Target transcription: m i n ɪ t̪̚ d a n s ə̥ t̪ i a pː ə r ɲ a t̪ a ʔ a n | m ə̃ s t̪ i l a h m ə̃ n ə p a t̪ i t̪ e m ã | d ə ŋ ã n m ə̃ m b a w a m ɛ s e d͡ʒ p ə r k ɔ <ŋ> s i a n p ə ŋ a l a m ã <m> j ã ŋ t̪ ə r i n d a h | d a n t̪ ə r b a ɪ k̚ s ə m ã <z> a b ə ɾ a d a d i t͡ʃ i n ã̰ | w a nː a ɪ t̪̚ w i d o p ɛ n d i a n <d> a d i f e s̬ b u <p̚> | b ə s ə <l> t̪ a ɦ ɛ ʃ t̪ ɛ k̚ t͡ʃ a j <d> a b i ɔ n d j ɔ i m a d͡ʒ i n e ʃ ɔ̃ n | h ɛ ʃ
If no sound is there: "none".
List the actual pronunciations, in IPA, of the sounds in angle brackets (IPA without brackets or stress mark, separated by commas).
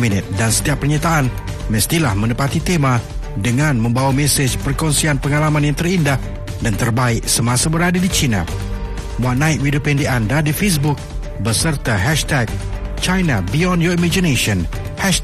n, n, s, d, k̚, r, n